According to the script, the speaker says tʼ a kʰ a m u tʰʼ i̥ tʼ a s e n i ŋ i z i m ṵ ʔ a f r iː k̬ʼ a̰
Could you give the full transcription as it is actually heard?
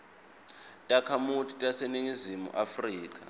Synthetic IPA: tʼ a kʰ a m u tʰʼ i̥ tʼ a s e n i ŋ i z i m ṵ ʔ a f r iː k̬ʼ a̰